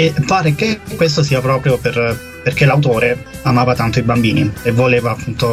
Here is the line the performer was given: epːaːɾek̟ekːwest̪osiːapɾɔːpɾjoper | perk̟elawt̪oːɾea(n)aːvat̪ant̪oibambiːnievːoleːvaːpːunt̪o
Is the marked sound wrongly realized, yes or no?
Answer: yes